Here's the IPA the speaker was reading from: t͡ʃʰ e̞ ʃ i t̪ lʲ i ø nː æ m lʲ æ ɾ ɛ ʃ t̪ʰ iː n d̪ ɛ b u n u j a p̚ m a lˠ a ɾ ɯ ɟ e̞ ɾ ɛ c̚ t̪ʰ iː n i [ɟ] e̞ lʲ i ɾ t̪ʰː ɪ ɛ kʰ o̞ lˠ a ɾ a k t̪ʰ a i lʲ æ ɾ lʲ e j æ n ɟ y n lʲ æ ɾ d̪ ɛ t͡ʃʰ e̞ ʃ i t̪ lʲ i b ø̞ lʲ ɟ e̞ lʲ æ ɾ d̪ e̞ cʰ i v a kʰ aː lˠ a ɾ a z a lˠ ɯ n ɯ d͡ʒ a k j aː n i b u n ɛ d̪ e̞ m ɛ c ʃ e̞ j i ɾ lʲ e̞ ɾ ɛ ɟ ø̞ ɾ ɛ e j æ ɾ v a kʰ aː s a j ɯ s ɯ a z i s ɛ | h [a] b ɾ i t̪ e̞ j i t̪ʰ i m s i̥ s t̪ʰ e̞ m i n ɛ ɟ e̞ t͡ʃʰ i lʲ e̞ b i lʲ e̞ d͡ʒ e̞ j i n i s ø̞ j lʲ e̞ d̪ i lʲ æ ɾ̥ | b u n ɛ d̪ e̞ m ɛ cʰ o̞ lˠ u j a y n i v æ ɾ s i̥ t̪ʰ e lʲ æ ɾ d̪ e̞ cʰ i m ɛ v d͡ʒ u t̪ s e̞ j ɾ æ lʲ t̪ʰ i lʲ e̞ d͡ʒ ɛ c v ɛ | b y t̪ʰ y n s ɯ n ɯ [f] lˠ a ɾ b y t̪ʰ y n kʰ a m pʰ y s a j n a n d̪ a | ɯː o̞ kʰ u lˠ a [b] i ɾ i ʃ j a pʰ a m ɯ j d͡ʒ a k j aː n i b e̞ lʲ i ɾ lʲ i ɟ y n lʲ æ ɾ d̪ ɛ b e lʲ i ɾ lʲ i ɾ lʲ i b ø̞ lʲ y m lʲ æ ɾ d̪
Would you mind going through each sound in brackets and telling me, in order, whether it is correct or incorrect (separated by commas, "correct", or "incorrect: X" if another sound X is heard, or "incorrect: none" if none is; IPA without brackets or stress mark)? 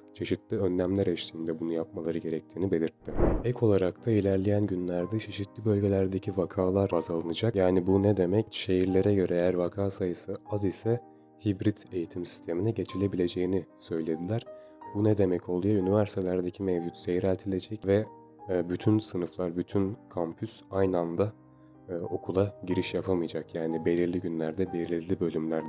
incorrect: b, incorrect: i, correct, incorrect: ɟ